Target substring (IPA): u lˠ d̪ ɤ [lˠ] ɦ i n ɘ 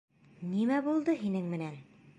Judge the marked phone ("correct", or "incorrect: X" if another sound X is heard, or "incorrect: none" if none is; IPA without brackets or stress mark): incorrect: none